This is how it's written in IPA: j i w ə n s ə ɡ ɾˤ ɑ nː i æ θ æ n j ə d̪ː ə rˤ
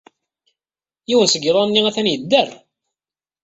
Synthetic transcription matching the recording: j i w ə n s ə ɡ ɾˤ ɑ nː i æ θ æ n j ə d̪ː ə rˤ